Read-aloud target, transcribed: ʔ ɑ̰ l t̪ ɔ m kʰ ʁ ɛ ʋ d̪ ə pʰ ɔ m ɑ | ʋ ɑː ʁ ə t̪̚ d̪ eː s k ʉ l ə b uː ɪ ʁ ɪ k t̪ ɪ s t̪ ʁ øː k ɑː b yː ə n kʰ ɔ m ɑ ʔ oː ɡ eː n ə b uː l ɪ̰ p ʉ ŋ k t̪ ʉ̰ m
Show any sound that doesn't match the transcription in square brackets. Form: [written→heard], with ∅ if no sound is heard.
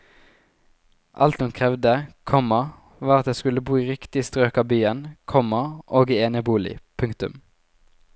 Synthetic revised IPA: ʔ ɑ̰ l t̪ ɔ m kʰ ʁ ɛ ʋ d̪ ə [pʰ→kʰ] ɔ m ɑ | ʋ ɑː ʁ [ə→ɑ] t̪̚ d̪ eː s k ʉ l ə b uː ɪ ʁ ɪ k t̪ ɪ s t̪ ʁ øː k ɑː b yː ə n kʰ ɔ m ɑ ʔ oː ɡ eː n ə b uː l ɪ̰ [p→pʰ] ʉ ŋ k t̪ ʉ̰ m